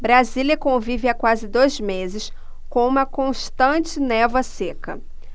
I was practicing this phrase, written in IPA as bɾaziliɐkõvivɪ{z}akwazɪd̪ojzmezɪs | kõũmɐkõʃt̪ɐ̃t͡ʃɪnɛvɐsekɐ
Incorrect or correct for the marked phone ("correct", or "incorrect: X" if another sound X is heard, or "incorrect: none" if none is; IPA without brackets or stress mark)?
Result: incorrect: none